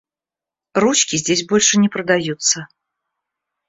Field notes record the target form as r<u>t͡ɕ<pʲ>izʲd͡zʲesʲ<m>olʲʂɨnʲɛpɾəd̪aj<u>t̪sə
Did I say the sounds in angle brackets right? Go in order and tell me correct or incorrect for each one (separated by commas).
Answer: correct, incorrect, incorrect, correct